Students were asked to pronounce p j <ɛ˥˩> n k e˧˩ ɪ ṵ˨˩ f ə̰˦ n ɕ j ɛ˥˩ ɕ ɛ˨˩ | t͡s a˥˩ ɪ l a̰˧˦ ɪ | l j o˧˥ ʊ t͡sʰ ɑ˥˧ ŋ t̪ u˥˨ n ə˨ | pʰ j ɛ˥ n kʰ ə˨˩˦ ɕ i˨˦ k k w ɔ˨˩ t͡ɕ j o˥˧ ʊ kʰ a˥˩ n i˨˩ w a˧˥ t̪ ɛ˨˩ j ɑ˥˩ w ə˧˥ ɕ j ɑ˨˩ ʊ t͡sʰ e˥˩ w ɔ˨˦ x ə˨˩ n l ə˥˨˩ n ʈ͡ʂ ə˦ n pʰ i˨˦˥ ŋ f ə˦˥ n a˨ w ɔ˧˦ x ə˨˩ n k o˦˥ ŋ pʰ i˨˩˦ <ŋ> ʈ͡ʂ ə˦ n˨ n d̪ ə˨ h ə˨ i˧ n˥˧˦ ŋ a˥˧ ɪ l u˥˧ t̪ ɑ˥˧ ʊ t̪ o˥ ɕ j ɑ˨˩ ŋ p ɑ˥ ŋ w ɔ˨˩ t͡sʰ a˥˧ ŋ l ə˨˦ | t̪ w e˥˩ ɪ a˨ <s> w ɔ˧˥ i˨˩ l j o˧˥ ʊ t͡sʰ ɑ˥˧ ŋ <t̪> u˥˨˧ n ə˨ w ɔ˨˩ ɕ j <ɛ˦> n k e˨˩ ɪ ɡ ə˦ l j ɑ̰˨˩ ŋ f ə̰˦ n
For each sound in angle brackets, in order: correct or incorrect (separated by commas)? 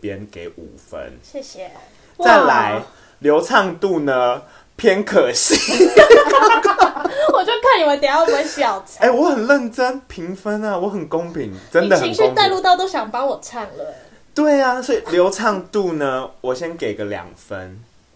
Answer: incorrect, correct, correct, correct, correct